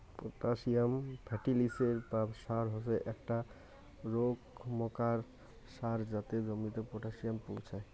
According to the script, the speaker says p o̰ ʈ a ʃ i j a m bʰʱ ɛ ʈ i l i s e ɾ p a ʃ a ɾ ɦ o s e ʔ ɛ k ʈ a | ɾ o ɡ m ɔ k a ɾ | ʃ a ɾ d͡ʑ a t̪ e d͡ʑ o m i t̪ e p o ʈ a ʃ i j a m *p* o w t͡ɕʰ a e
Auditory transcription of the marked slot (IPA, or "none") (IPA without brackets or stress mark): p